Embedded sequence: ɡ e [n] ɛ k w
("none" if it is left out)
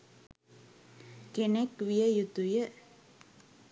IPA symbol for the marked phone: n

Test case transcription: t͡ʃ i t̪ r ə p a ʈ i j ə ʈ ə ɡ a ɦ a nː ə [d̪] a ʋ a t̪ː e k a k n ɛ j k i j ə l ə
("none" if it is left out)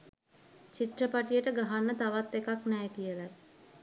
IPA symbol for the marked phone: t̪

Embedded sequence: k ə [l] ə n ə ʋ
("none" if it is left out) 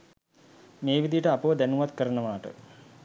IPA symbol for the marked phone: ɾ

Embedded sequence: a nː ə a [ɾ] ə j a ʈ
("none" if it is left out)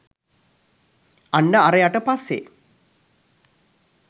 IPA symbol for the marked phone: ɾ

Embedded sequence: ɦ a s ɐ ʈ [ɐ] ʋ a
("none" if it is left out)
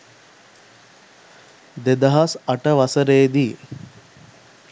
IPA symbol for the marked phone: ə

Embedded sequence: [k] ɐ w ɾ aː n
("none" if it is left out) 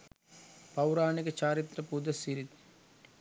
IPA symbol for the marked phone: p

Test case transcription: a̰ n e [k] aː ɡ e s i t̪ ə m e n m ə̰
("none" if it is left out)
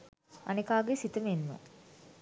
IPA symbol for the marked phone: k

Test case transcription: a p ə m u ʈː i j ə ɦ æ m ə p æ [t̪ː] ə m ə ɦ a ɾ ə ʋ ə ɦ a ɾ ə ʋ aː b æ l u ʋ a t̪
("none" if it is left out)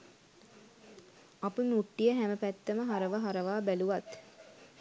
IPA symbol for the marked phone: t̪ː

